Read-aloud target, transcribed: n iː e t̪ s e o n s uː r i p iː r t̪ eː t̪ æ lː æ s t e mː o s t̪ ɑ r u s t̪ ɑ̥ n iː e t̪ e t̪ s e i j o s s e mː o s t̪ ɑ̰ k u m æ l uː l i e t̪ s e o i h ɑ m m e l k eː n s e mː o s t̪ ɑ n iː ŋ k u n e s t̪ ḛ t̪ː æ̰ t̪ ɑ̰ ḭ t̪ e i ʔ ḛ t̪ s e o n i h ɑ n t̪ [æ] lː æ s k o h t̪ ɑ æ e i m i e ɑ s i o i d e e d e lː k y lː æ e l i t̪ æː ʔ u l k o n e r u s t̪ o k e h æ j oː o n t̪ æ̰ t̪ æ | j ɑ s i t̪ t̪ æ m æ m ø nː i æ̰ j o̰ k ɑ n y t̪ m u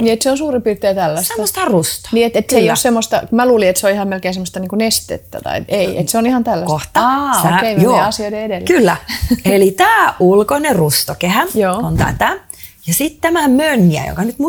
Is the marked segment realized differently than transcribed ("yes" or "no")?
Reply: no